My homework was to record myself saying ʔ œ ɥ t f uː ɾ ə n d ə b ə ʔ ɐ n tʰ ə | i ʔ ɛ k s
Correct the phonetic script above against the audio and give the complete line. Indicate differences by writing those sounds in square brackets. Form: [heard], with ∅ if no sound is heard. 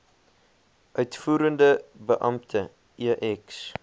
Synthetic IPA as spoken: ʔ œ ɥ t f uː ɾ ə n d ə b ə ʔ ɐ [m] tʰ ə | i ʔ ɛ k s